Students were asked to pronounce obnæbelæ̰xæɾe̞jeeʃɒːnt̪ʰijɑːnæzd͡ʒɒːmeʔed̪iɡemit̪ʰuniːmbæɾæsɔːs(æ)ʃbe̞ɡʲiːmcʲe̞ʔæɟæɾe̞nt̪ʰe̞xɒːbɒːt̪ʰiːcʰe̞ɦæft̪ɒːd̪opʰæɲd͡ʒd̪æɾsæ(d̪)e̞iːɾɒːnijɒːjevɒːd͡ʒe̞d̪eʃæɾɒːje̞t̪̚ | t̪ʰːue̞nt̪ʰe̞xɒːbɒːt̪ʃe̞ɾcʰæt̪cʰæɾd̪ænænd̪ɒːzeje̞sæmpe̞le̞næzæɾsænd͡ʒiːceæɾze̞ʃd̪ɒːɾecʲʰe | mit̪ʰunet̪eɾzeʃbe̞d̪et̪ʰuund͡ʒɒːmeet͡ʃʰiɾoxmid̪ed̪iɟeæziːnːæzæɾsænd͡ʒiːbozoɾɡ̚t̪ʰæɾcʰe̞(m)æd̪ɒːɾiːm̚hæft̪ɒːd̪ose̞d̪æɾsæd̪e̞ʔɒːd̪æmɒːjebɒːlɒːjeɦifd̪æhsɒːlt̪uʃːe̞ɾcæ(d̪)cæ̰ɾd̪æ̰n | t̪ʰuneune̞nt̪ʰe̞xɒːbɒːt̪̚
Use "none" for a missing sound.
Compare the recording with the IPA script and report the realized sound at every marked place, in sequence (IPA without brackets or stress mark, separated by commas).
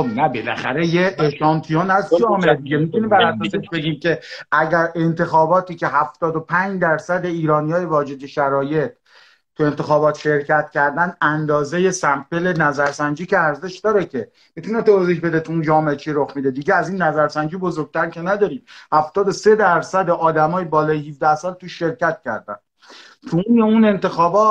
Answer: e, d̪, n, t̪